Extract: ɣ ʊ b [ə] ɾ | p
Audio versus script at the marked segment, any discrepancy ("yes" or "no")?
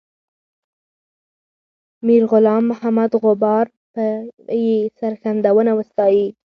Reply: yes